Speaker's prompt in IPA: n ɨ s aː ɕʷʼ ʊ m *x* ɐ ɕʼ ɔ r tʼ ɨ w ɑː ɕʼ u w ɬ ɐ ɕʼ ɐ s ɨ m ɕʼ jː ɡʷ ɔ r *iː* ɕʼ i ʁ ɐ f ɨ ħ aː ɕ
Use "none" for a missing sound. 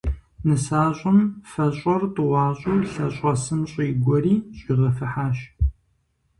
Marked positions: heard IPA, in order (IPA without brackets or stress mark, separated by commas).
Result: f, iː